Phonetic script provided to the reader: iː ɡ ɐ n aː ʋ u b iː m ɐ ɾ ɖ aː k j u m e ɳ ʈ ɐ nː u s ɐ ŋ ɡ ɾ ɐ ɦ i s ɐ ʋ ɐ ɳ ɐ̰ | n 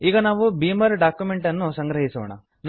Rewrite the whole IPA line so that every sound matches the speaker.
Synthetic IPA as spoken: iː ɡ ɐ n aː ʋ u b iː m ɐ ɾ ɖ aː k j u m e ɳ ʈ ɐ nː u s ɐ ŋ ɡ ɾ ɐ ɦ i s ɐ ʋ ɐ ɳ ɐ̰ | n